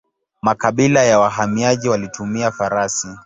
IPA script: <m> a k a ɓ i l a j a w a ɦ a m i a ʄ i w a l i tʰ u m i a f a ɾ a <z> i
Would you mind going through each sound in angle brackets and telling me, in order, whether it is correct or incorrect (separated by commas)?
correct, incorrect